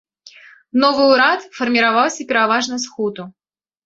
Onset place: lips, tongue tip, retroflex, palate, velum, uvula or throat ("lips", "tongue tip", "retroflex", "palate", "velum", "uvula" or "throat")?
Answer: tongue tip